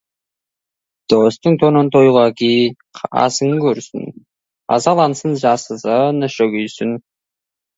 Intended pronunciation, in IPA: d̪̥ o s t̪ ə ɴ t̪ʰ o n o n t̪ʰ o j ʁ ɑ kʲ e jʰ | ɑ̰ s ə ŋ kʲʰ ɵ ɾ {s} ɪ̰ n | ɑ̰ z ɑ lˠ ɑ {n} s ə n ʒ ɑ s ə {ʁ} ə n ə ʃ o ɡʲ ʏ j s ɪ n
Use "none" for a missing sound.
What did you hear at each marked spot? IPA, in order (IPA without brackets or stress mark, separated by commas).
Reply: s, n, z